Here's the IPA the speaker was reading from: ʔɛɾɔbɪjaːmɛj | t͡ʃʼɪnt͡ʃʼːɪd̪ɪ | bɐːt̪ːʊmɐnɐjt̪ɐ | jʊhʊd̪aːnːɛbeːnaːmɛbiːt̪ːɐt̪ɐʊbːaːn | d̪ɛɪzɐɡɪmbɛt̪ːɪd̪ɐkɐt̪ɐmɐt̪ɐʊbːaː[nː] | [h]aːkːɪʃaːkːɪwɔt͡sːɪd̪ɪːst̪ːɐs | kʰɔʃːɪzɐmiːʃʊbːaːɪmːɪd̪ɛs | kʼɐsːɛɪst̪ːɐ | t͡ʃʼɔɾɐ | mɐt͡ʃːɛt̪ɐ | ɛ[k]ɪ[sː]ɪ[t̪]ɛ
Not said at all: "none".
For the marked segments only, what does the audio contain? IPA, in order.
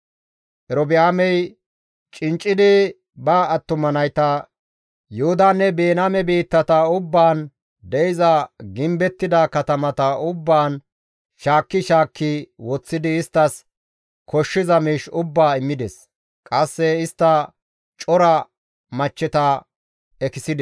n, ʃ, k, s, d̪

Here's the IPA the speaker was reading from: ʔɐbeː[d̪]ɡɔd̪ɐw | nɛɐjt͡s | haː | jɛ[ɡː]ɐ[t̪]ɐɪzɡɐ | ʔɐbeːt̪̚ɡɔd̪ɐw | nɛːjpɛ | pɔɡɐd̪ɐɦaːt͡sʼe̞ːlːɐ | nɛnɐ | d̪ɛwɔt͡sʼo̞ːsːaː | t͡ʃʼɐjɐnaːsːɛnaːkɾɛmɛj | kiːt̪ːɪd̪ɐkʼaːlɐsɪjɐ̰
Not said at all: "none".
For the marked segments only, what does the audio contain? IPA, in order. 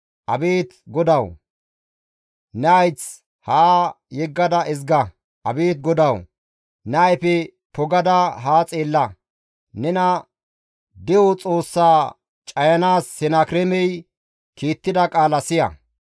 t̪, ɡː, d̪

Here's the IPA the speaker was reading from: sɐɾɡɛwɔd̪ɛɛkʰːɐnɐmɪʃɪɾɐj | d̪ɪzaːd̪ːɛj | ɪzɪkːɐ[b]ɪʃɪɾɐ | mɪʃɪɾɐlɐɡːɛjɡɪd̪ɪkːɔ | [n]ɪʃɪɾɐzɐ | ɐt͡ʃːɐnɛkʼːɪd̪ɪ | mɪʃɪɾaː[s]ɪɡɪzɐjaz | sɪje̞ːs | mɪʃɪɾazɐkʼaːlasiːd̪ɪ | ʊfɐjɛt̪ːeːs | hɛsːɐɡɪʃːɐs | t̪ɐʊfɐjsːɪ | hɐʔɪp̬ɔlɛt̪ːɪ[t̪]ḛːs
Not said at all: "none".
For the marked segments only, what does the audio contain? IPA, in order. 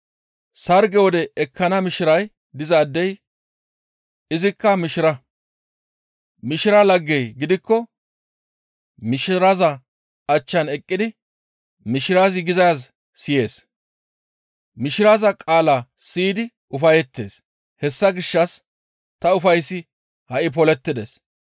m, m, z, d̪

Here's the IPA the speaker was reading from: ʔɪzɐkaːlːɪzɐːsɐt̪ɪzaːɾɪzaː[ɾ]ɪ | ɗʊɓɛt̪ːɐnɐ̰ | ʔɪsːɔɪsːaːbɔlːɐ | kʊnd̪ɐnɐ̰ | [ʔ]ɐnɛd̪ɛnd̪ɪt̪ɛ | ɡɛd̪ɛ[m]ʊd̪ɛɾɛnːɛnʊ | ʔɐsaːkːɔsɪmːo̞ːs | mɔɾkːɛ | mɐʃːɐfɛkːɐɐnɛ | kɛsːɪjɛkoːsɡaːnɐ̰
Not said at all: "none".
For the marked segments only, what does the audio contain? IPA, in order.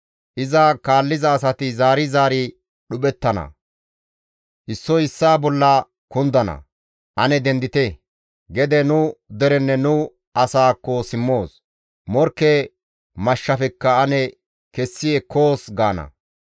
ɾ, ʔ, n

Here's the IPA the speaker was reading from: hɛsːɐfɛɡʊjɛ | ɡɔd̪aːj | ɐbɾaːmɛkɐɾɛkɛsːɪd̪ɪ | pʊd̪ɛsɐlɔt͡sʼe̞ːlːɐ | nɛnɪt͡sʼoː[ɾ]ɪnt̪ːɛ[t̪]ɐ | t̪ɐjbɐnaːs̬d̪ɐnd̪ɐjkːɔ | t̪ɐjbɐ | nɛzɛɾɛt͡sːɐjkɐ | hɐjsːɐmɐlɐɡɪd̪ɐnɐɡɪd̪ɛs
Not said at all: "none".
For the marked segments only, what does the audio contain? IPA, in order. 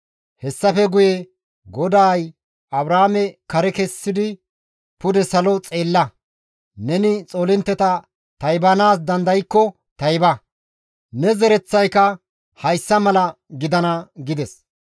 l, t̪

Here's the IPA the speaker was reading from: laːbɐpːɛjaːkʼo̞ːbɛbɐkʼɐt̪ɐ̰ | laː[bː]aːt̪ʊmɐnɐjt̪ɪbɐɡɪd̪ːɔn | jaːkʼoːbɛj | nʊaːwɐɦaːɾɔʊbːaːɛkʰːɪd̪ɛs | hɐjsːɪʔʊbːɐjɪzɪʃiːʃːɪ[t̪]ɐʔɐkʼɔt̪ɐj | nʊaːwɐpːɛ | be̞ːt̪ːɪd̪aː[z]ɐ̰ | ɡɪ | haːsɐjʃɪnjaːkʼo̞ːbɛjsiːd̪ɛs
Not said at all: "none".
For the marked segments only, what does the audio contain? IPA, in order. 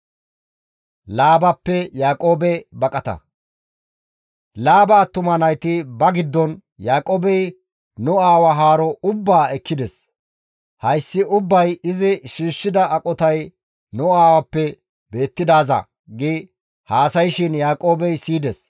b, d̪, z

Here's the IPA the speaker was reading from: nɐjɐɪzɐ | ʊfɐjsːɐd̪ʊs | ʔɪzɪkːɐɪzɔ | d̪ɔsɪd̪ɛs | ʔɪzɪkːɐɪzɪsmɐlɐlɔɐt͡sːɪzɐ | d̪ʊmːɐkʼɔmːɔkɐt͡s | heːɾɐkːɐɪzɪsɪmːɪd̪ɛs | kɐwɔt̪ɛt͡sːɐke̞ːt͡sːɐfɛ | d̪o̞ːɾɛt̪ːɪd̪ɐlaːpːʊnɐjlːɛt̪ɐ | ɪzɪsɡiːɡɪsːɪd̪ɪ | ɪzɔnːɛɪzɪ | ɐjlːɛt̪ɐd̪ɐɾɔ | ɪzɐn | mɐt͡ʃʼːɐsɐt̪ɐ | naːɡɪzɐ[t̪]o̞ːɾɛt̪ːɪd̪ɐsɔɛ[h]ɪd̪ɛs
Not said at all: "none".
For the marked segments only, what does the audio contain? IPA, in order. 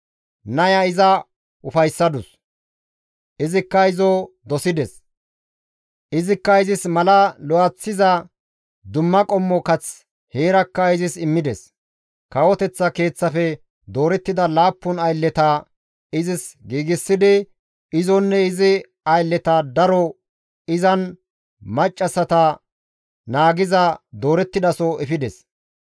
d̪, f

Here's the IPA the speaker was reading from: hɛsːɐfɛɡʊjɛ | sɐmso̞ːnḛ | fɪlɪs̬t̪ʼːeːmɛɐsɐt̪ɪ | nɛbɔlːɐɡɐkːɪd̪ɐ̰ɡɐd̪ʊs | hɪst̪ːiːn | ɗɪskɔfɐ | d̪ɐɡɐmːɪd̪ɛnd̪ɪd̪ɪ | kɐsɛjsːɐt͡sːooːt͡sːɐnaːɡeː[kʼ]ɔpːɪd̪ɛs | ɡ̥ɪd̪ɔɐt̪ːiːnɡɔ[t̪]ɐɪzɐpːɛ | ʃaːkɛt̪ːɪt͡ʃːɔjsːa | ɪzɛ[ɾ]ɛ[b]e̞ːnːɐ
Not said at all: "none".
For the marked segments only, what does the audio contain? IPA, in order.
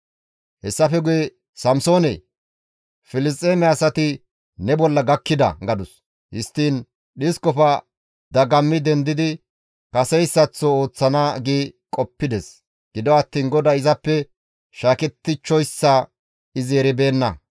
kʼ, d̪, ɾ, b

